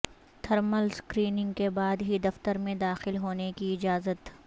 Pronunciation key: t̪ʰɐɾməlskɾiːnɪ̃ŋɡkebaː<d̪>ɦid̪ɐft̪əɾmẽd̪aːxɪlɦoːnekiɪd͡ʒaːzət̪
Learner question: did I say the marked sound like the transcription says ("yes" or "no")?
yes